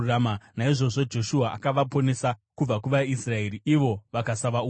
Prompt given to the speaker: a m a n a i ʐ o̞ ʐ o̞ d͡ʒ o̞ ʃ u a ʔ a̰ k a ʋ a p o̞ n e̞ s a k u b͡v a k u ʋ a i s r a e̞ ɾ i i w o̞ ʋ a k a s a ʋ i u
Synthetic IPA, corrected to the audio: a m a n a i ʐ o̞ ʐ o̞ d͡ʒ o̞ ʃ u a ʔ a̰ k a ʋ a p o̞ n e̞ s a k u b͡v a k u ʋ a i s r a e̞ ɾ i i ʋ o̞ ʋ a k a s a ʋ a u